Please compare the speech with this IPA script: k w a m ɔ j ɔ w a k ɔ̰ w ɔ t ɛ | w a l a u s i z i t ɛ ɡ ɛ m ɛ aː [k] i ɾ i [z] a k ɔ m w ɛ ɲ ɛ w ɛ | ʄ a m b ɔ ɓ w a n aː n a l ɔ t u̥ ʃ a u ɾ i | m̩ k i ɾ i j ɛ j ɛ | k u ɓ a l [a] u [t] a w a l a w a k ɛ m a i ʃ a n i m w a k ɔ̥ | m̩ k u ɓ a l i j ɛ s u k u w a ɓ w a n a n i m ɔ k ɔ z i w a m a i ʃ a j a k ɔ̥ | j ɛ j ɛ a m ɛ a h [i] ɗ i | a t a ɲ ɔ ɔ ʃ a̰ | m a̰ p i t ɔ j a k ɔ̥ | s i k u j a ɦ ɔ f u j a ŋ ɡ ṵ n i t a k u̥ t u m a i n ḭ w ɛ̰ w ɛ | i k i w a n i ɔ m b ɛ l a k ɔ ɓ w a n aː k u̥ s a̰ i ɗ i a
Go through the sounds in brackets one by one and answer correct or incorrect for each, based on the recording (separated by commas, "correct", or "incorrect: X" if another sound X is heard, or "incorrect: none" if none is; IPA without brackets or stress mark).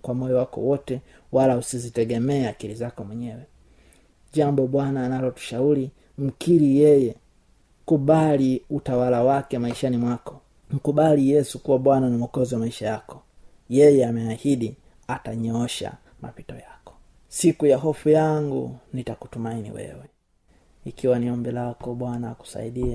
correct, correct, incorrect: i, correct, correct